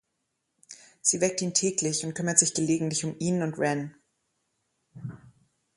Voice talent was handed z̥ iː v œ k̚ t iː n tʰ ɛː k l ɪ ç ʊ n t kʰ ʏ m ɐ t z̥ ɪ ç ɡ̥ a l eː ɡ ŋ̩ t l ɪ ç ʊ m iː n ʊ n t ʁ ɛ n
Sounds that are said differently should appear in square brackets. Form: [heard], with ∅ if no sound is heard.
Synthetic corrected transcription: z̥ iː v [ɛ] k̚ t iː n tʰ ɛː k l ɪ ç ʊ n t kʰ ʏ m ɐ t z̥ ɪ ç ɡ̥ [ə] l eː ɡ ŋ̩ t l ɪ ç ʊ m iː n ʊ n t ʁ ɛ n